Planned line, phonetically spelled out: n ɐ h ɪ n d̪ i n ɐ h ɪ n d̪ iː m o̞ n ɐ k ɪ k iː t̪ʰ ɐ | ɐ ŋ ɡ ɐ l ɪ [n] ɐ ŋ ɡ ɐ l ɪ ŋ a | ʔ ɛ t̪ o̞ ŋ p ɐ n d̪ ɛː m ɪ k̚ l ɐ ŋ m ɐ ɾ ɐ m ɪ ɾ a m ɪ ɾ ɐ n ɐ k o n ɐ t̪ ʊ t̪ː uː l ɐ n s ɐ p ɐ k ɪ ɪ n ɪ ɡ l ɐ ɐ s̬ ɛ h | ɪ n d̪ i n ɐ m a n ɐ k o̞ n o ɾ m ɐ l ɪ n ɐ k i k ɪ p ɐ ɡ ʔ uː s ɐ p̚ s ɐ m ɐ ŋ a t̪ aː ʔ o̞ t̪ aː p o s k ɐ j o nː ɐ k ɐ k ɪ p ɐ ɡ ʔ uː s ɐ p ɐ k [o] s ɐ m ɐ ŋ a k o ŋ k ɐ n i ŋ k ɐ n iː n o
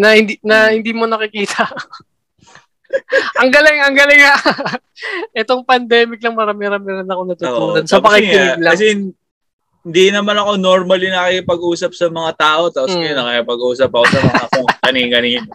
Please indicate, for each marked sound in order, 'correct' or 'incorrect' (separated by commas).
incorrect, correct